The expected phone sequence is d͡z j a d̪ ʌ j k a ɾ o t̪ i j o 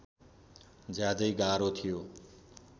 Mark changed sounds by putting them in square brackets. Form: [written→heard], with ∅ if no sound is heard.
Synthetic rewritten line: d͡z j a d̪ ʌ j [k→ɡ] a ɾ o [t̪→t̪ʰ] i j o